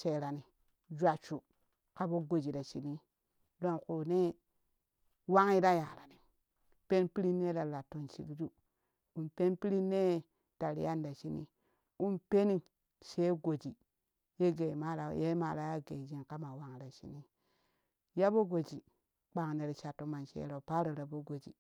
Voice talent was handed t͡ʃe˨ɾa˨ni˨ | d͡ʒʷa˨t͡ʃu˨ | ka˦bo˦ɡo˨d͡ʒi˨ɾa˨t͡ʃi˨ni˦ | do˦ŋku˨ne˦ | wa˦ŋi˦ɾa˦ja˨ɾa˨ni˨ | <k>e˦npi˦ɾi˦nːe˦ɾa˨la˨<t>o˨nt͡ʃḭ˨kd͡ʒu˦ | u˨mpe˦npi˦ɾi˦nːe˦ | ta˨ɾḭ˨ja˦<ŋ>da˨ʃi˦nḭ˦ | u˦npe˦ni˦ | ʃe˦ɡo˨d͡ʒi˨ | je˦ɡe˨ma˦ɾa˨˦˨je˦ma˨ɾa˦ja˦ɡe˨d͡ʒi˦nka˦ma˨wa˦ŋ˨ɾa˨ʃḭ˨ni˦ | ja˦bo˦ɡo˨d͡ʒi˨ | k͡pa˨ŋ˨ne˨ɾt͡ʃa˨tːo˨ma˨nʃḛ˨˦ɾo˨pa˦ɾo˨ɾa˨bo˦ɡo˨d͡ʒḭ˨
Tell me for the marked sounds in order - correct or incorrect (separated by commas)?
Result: incorrect, correct, incorrect